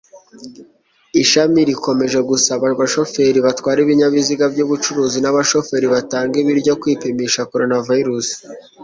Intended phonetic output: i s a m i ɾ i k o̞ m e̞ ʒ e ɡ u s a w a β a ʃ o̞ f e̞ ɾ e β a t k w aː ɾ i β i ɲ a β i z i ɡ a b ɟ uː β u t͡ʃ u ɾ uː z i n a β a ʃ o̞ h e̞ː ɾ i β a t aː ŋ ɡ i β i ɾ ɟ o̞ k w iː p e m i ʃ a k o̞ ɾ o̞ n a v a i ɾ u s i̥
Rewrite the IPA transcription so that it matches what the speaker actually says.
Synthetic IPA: i ʃ a m i ɾ i k o̞ m e̞ ʒ e ɡ u s a β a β a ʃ o̞ f e̞ ɾ i β a t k w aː ɾ i β i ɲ a β i z i ɡ a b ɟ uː β u t͡ʃ u ɾ uː z i n a β a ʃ o̞ f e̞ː ɾ i β a t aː ŋ ɡ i β i ɾ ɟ o̞ k w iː p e m i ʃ a k o̞ ɾ o̞ n a v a i ɾ u s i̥